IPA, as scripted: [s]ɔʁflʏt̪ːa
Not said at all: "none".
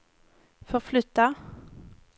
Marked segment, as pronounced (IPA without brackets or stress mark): f